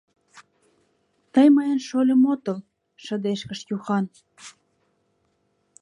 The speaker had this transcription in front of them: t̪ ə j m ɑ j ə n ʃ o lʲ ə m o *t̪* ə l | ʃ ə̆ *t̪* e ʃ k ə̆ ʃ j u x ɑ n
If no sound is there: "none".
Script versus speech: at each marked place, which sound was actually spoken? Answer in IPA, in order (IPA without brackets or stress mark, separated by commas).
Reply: t̪, d̪